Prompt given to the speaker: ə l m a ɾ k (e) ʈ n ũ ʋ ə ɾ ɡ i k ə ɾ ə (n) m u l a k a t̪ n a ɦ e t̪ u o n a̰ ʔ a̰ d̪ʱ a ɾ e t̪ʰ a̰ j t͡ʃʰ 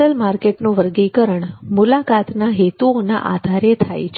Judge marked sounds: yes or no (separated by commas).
yes, no